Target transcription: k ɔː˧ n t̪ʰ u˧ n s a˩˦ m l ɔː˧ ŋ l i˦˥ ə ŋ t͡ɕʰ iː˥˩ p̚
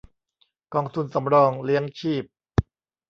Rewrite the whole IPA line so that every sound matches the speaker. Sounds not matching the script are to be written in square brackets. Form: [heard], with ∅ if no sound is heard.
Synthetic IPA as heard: k ɔː˧ [ŋ] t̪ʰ u˧ n s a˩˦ m [ɾ] ɔː˧ ŋ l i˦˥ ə ŋ t͡ɕʰ iː˥˩ p̚